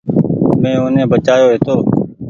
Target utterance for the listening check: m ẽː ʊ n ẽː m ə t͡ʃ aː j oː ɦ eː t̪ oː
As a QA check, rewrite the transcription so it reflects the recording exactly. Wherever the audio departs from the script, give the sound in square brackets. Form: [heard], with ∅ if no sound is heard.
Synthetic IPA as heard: m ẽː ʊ n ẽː [b] ə t͡ʃ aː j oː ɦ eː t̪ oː